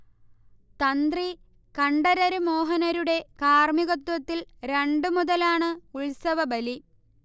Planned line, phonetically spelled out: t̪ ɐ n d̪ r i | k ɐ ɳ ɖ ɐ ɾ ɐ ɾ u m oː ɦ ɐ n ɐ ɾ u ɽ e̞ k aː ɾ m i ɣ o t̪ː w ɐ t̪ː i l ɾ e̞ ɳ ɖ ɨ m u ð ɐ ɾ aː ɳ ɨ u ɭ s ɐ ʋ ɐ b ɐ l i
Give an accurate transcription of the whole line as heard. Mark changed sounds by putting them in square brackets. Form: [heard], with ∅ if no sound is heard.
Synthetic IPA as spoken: t̪ ɐ n d̪ r i | k ɐ ɳ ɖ ɐ ɾ ɐ ɾ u m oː ɦ ɐ n ɐ ɾ u ɽ e̞ k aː [r] m i ɣ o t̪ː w ɐ t̪ː i l ɾ e̞ ɳ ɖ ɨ m u ð ɐ [l] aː ɳ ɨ u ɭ s ɐ ʋ ɐ b ɐ l i

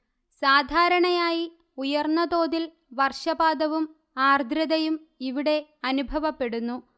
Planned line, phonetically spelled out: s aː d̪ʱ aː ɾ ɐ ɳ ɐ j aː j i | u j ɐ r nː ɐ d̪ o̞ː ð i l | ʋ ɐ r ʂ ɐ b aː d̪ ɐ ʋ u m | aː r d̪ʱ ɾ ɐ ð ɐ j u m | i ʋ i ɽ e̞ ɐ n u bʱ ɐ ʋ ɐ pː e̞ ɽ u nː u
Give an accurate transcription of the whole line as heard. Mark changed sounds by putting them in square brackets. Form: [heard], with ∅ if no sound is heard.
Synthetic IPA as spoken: s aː d̪ʱ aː ɾ ɐ ɳ ɐ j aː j i | u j ɐ r nː ɐ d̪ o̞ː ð i l | ʋ ɐ r ʂ ɐ b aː d̪ ɐ ʋ u m | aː r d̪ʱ ɾ ɐ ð ɐ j u m | i ʋ i ɽ e̞ ɐ n u bʱ ɐ ʋ ɐ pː e̞ ɽ u nː u

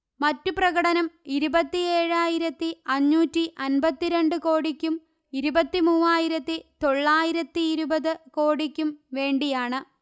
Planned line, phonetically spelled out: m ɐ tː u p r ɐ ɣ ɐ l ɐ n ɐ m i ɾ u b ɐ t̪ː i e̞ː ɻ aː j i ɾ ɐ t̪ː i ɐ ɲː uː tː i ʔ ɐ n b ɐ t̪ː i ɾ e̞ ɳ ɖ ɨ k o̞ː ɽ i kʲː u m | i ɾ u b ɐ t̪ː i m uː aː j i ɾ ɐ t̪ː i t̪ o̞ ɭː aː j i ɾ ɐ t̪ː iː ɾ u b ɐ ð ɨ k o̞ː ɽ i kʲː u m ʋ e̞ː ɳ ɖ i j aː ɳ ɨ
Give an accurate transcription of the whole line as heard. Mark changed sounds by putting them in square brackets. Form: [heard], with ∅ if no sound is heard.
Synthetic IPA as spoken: m ɐ tː u p r ɐ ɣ ɐ [ɽ] ɐ n ɐ m i ɾ u b ɐ t̪ː i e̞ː ɻ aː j i ɾ ɐ t̪ː i ɐ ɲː uː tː i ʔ ɐ n b ɐ t̪ː i ɾ e̞ ɳ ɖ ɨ k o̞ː ɽ i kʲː u m | i ɾ u b ɐ t̪ː i m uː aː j i ɾ ɐ t̪ː i t̪ o̞ ɭː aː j i ɾ ɐ t̪ː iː ɾ u b ɐ ð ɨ k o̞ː ɽ i kʲː u m ʋ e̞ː ɳ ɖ i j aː ɳ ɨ

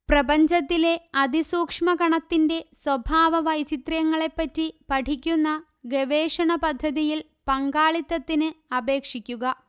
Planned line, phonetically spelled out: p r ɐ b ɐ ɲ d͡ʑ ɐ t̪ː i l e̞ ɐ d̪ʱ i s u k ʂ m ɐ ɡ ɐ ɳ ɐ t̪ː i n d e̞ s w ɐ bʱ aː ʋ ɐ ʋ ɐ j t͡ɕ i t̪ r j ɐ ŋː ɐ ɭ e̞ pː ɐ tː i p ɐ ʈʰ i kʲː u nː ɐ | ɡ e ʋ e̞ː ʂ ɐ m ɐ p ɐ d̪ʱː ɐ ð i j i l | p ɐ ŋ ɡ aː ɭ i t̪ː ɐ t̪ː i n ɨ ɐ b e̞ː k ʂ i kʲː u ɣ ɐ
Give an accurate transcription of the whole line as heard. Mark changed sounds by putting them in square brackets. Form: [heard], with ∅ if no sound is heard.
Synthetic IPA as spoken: p r ɐ b ɐ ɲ d͡ʑ ɐ t̪ː i l e̞ ɐ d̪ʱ i s [uː] k ʂ m ɐ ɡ ɐ ɳ ɐ t̪ː i n d e̞ s w ɐ bʱ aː ʋ ɐ ʋ ɐ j t͡ɕ i t̪ r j ɐ ŋː ɐ ɭ e̞ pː ɐ tː i p ɐ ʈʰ i kʲː u nː ɐ | ɡ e ʋ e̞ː ʂ ɐ [ɳ] ɐ p ɐ d̪ʱː ɐ ð i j i l | p ɐ ŋ ɡ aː ɭ i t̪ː ɐ t̪ː i n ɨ ɐ b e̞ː k ʂ i kʲː u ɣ ɐ

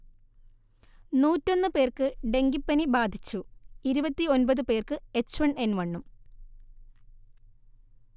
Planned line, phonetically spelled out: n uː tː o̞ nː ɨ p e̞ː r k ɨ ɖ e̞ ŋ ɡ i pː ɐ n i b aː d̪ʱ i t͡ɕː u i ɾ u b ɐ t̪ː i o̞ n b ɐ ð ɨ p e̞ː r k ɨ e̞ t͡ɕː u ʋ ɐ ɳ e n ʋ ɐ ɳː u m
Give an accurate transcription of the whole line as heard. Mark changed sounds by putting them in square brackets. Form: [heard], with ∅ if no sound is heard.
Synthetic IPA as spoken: n uː tː o̞ nː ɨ p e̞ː r k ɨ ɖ e̞ ŋ ɡ i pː ɐ n i b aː d̪ʱ i t͡ɕː u i ɾ u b ɐ t̪ː i o̞ n b ɐ ð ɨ p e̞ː r k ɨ e̞ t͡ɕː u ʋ ɐ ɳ e n ʋ ɐ ɳː u m

